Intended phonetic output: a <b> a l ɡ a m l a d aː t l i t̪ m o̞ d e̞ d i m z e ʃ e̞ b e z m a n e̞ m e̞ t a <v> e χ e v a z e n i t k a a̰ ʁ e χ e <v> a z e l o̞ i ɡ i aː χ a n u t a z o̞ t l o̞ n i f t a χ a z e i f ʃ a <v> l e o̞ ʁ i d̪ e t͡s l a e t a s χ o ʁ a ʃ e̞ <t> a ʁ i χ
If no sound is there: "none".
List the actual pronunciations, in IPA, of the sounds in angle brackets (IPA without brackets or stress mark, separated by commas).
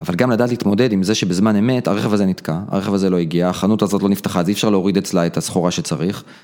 v, ʁ, v, ʁ, t͡s